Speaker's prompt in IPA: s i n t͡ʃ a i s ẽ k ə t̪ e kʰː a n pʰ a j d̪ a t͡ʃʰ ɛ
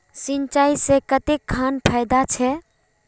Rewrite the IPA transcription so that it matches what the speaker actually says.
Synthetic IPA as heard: s i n t͡ʃ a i s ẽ k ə t̪ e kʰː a n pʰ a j d̪ a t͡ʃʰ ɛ